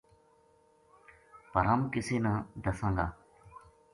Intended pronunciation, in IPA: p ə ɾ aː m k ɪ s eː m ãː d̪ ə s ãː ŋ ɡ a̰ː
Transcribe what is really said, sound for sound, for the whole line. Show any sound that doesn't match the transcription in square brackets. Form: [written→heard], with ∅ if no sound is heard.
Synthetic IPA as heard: p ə ɾ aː m k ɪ s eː [m→n] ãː d̪ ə s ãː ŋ ɡ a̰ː